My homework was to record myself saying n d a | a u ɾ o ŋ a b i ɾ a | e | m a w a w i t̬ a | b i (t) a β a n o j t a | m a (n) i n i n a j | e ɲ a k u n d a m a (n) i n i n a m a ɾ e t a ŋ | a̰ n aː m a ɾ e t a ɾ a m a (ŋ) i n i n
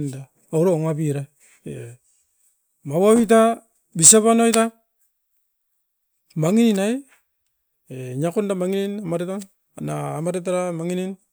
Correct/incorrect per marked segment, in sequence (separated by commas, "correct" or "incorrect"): incorrect, incorrect, incorrect, correct